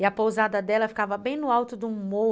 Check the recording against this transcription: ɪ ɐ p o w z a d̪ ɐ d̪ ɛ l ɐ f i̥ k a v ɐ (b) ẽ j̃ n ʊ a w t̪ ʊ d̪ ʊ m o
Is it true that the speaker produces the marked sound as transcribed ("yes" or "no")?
yes